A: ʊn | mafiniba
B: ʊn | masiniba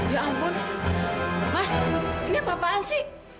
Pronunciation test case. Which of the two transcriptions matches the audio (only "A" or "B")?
B